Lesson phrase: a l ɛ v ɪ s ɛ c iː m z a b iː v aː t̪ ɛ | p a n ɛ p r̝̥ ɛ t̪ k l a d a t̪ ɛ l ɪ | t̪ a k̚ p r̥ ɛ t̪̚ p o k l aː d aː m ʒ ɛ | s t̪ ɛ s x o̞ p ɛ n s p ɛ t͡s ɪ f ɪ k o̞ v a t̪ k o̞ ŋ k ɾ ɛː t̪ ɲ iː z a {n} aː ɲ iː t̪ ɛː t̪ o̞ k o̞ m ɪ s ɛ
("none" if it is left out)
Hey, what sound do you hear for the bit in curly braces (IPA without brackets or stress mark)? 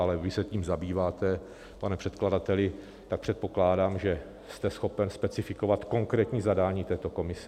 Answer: d